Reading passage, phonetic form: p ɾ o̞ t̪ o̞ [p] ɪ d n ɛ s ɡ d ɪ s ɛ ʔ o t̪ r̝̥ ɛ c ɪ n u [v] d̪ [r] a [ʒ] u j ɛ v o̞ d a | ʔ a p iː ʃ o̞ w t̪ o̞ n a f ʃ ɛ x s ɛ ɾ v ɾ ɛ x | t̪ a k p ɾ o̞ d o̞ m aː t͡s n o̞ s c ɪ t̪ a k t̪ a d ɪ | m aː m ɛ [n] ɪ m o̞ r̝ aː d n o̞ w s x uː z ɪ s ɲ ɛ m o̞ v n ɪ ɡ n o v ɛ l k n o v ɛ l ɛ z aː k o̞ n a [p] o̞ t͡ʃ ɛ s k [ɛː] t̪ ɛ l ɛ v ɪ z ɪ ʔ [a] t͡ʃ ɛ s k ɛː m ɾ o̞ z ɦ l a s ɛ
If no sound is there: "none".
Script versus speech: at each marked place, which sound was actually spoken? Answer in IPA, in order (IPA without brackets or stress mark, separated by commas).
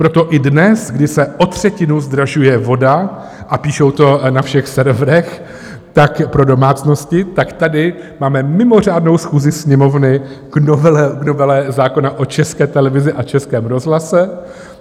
ʔ, z, ɾ, ʒ, m, ʔ, ɛː, a